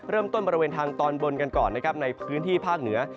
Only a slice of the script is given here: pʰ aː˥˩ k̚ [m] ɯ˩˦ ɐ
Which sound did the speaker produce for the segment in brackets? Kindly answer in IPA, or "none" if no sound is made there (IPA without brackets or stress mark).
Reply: n